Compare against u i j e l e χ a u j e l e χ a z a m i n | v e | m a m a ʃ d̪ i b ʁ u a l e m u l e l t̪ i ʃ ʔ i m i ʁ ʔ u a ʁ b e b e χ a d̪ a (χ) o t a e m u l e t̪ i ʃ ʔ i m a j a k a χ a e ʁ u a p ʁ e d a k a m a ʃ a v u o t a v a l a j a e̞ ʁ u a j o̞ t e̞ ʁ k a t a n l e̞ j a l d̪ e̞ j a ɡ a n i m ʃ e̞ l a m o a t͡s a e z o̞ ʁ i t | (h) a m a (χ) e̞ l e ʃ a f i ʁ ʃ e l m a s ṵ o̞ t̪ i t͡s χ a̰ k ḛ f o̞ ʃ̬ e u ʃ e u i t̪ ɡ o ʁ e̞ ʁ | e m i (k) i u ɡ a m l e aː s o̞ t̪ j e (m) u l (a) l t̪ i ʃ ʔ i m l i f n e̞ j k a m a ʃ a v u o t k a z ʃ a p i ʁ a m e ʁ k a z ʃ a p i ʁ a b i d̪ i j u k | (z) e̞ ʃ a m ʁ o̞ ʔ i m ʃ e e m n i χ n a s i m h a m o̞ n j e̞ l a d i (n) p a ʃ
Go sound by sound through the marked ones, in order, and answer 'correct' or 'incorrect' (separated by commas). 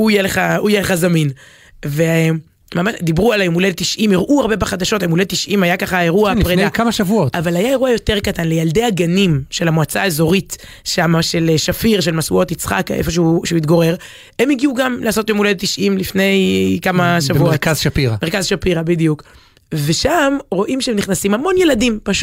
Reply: incorrect, incorrect, incorrect, incorrect, correct, incorrect, incorrect, incorrect